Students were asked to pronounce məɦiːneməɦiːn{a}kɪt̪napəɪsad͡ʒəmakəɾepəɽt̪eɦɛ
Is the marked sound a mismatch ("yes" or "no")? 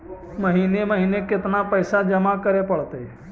yes